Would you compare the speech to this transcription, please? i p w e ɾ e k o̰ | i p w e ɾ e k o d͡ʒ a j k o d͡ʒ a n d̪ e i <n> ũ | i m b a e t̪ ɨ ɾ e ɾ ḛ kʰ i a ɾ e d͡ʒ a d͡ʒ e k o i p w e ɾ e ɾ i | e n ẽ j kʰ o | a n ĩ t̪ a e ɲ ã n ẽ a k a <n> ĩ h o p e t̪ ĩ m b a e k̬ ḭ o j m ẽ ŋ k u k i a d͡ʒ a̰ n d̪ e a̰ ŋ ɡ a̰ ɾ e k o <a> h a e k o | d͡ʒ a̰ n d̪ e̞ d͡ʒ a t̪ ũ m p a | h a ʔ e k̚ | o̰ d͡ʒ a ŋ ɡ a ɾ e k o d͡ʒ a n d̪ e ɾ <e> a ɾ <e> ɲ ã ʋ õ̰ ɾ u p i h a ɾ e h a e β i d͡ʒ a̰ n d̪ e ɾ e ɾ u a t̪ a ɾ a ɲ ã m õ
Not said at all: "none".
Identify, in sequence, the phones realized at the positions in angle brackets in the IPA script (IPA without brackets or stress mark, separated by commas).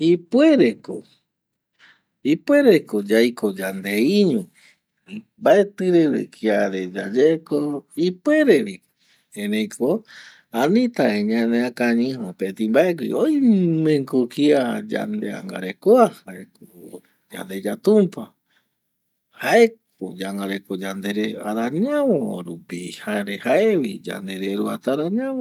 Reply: ɲ, ɲ, a, e, a